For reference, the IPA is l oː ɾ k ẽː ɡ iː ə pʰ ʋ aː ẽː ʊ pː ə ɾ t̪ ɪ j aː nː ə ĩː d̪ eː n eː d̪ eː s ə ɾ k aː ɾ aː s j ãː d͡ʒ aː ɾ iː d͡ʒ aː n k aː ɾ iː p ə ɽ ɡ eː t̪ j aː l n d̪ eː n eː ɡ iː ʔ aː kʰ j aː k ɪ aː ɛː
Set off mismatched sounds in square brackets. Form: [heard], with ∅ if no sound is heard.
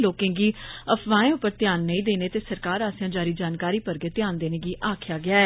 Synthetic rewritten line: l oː [∅] k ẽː ɡ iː ə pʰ ʋ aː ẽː ʊ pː ə ɾ t̪ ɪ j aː nː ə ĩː d̪ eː n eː [t̪] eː s ə ɾ k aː ɾ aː s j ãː d͡ʒ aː ɾ iː d͡ʒ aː n k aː ɾ iː p ə [ɾ] ɡ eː t̪ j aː [∅] n d̪ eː n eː ɡ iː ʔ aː kʰ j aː [ɡ] ɪ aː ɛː